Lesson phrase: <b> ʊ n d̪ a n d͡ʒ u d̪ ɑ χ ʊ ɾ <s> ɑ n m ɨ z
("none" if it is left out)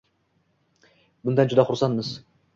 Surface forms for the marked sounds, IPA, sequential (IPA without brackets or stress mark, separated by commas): b, s